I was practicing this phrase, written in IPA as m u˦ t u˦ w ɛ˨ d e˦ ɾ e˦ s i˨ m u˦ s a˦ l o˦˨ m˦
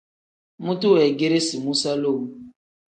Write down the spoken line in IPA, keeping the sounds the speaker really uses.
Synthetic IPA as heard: m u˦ t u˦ w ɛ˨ ɡ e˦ ɾ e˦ s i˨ m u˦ s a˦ l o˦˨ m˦